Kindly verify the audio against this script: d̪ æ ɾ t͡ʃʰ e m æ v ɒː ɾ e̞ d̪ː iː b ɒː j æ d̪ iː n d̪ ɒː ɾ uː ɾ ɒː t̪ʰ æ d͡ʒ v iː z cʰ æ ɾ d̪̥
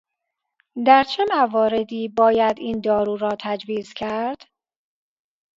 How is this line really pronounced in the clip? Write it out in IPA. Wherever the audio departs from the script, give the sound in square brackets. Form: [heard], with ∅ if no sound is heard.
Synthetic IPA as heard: d̪ æ ɾ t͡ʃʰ e m æ v ɒː ɾ e̞ [d̪] iː b ɒː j æ d̪ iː n d̪ ɒː ɾ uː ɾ ɒː t̪ʰ æ d͡ʒ v iː z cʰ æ ɾ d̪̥